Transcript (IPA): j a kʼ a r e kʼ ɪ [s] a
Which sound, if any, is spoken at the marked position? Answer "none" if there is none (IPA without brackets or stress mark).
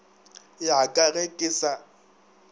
s